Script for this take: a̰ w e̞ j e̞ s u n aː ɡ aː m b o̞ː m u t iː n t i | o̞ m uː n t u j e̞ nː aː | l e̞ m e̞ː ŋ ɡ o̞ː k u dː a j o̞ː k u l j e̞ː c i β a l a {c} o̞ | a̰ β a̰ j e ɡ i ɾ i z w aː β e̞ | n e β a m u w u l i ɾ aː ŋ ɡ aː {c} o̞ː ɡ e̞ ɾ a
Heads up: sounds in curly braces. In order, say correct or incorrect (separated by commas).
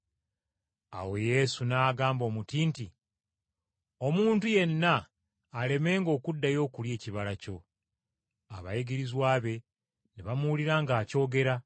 correct, correct